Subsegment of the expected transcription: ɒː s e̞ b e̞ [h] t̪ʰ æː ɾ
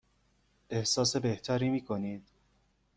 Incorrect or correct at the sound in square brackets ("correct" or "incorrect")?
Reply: correct